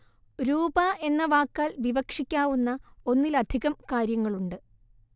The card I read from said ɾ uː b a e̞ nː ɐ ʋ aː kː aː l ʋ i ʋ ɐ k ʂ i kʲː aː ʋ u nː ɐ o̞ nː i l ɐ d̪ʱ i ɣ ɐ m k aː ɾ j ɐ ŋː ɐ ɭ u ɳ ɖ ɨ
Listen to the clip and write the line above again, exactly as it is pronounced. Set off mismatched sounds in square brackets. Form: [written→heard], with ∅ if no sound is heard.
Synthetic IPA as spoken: ɾ uː b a e̞ nː ɐ ʋ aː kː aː l ʋ i ʋ ɐ k ʂ i kʲː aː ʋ u nː ɐ o̞ nː i l ɐ d̪ʱ i ɣ ɐ m k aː ɾ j ɐ ŋː ɐ ɭ u ɳ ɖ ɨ